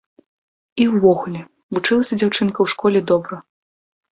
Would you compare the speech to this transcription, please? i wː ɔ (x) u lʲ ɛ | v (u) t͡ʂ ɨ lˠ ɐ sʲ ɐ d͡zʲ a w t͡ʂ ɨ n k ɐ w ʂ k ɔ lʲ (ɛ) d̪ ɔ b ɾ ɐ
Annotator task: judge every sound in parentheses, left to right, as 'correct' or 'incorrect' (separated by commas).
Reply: incorrect, correct, correct